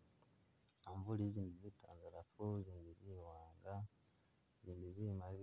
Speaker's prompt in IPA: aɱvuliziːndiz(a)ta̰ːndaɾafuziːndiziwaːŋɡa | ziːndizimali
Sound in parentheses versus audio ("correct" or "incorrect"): incorrect